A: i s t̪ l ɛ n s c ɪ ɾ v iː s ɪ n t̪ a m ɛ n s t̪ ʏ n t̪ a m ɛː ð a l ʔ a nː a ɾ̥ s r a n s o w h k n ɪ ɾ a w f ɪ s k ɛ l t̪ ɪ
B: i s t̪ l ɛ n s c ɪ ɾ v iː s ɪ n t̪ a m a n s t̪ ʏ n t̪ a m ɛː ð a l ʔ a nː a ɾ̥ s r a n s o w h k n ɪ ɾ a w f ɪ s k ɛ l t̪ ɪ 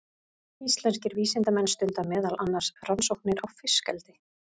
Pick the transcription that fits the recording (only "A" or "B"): A